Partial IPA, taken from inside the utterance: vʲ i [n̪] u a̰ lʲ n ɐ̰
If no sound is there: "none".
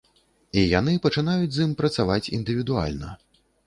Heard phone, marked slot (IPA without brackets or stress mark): d̪